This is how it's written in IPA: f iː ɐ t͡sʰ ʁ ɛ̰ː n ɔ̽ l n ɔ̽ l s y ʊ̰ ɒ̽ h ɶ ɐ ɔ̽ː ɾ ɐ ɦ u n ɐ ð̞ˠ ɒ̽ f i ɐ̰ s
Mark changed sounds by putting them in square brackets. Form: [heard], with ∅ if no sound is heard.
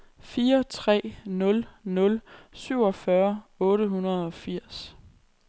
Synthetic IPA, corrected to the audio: f iː ɐ t͡sʰ ʁ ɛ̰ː n ɔ̽ l n ɔ̽ l s y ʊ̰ ɒ̽ [f] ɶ ɐ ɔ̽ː ɾ [ə] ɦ u n ɐ ð̞ˠ ɒ̽ f i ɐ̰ s